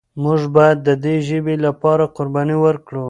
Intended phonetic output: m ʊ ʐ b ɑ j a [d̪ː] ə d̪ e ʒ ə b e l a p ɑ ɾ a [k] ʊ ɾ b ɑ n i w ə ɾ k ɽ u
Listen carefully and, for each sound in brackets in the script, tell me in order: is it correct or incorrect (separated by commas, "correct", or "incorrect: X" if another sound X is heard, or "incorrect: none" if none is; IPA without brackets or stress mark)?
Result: correct, incorrect: q